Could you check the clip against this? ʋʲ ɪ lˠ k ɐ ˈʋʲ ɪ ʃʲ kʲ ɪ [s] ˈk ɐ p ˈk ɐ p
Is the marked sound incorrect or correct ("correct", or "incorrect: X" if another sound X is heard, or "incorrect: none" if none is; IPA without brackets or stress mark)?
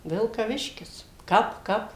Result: correct